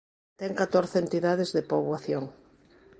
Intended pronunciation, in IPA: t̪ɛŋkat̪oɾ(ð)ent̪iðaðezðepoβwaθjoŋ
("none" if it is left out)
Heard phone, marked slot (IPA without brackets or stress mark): θ